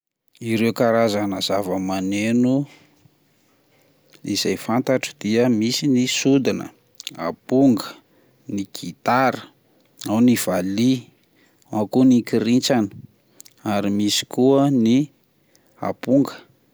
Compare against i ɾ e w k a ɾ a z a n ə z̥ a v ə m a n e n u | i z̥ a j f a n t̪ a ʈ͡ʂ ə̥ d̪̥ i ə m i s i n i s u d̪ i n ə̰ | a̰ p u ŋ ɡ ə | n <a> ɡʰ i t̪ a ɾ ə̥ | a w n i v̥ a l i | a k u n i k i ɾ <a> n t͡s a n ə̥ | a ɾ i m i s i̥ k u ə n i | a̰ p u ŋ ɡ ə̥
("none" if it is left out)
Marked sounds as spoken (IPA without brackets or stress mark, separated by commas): i, i